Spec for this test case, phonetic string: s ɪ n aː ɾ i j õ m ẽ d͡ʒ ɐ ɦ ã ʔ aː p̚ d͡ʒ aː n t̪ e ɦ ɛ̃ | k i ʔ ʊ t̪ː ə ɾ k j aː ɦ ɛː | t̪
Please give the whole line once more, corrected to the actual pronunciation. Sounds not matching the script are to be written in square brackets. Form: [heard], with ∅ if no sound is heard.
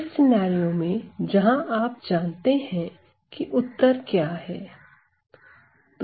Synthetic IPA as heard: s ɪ n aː ɾ i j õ m ẽ d͡ʒ ɐ ɦ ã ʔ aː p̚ d͡ʒ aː n t̪ e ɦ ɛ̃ | k i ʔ ʊ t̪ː ə ɾ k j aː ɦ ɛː | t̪